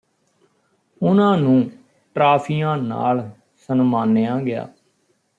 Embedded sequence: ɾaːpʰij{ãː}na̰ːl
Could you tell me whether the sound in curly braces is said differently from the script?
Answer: no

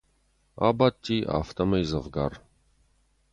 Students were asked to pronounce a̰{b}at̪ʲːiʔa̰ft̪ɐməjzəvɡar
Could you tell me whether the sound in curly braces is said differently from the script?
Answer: no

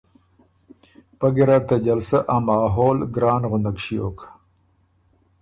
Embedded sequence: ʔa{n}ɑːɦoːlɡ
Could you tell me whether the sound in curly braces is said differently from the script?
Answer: yes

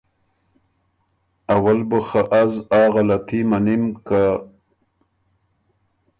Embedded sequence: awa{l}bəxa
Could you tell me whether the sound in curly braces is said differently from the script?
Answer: no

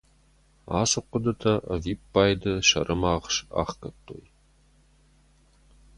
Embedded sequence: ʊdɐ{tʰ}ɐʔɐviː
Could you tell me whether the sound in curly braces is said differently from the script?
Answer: no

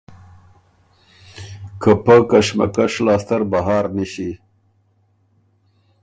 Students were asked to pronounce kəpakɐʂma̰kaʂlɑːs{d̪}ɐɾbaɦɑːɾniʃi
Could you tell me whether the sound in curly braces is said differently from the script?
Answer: yes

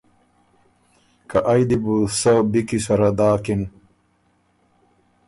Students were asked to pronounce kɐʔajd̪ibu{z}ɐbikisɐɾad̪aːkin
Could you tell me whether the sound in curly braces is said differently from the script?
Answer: yes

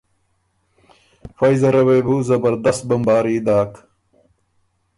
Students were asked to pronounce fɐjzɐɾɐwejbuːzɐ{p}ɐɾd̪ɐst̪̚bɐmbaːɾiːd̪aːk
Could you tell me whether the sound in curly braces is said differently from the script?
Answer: yes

